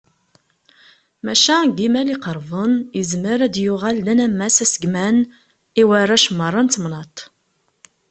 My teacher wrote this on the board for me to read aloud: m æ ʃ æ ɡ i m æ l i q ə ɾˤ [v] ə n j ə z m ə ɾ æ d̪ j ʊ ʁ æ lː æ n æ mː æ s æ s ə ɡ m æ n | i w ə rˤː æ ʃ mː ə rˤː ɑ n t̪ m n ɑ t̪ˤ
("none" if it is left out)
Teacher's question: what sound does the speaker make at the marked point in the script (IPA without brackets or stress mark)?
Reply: v